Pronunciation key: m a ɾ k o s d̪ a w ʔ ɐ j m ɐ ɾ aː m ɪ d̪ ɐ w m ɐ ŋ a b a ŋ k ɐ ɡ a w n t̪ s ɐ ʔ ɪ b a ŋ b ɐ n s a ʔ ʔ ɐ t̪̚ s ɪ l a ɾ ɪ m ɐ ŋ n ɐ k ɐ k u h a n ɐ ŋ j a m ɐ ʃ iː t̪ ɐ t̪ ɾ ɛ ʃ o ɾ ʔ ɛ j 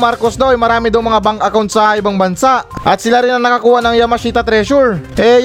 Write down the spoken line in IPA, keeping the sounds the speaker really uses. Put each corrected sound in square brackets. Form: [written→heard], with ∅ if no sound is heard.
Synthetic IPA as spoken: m a ɾ k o s d̪ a w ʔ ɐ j m ɐ ɾ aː m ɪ d̪ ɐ w m ɐ ŋ a b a ŋ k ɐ [ɡ→k] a w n t̪ s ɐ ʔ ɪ b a ŋ b ɐ n s a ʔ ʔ ɐ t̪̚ s ɪ l a ɾ ɪ [m→n] ɐ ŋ n ɐ k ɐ k [u→uː] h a n ɐ ŋ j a m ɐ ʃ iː t̪ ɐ t̪ ɾ ɛ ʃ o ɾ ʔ ɛ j